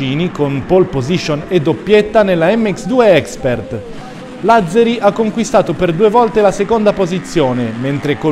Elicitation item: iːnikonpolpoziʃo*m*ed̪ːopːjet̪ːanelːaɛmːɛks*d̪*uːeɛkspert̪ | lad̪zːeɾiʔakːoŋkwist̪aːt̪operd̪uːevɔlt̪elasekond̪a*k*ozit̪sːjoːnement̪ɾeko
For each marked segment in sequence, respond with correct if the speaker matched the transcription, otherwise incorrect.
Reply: incorrect: n, correct, incorrect: p

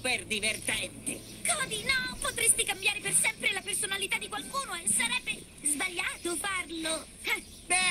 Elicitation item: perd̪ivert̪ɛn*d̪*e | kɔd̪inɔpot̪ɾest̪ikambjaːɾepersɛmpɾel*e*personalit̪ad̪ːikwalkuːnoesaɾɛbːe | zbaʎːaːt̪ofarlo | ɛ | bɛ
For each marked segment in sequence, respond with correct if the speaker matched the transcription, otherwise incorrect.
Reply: incorrect: t̪, incorrect: a

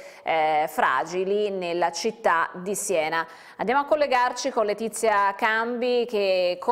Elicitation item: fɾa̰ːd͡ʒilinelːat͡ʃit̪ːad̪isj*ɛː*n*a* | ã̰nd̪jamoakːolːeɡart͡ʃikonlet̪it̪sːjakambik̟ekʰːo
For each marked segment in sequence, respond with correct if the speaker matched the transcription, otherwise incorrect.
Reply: correct, correct

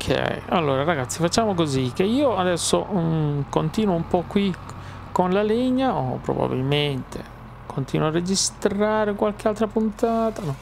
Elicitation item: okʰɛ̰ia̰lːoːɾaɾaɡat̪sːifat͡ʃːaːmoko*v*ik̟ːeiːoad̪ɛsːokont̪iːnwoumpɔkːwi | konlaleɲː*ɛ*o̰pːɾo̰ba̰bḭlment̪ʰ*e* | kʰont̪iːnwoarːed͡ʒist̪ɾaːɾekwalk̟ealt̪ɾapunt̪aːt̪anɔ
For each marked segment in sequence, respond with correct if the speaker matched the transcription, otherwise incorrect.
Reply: incorrect: z, incorrect: a, correct

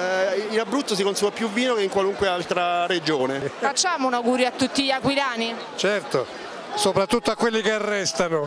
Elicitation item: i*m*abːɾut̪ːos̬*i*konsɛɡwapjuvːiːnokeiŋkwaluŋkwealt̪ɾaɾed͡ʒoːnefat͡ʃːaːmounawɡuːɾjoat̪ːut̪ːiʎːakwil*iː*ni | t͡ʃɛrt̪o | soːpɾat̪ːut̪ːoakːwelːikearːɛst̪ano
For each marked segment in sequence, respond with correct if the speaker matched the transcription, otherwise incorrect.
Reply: incorrect: n, correct, incorrect: aː

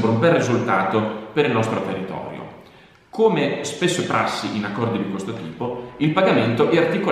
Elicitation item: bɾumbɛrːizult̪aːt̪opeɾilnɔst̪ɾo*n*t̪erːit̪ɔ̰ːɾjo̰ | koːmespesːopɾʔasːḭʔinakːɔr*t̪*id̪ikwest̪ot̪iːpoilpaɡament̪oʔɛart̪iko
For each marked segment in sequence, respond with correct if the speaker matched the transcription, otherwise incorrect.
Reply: incorrect: none, incorrect: d̪

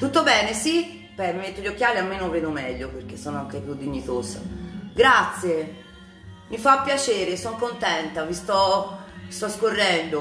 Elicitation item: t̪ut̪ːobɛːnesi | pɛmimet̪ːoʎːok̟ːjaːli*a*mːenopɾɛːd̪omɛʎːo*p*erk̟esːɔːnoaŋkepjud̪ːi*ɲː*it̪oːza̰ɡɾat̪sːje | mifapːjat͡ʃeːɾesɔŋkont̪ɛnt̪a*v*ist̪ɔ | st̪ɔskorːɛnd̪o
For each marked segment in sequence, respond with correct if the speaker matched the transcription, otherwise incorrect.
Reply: correct, correct, correct, correct

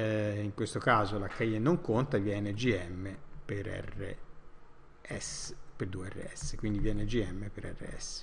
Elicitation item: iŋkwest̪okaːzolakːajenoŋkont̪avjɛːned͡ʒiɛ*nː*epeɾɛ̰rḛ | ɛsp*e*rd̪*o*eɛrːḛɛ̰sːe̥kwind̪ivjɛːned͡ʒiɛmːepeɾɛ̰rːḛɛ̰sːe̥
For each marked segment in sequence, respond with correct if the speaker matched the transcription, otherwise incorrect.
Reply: incorrect: mː, correct, incorrect: u

